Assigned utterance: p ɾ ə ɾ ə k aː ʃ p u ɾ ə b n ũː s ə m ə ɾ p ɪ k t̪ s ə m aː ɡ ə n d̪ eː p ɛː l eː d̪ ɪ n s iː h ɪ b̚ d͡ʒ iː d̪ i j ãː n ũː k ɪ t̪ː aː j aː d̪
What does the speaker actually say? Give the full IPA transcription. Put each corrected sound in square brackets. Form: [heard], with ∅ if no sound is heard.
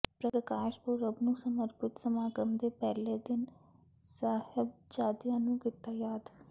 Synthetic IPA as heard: p ɾ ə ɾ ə k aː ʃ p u ɾ ə b n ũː s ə m ə ɾ p ɪ [∅] t̪ s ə m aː ɡ ə [m] d̪ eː p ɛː l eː d̪ ɪ n s [aː] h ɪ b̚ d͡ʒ [aː] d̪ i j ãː n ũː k ɪ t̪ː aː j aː d̪